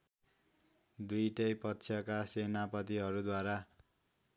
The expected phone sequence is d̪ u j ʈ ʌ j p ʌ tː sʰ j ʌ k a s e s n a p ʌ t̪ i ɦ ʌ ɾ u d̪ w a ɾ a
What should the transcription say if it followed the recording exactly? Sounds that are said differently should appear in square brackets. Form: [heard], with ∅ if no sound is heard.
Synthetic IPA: d̪ u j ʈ ʌ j p ʌ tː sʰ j ʌ k a s e [∅] n a p ʌ t̪ i ɦ ʌ ɾ u d̪ w a ɾ a